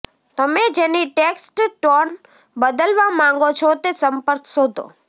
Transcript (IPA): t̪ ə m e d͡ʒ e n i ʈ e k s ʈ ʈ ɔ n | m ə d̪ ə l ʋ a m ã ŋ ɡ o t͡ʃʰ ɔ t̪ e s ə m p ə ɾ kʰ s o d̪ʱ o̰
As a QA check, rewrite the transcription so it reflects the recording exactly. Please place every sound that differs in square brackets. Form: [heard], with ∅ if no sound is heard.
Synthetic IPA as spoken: t̪ ə m e d͡ʒ e n i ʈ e k s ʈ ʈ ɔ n | [b] ə d̪ ə l ʋ a m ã ŋ ɡ o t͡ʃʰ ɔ t̪ e s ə m p ə ɾ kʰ s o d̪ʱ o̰